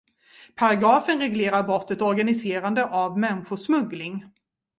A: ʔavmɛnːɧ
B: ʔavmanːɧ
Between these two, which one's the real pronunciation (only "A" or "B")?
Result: A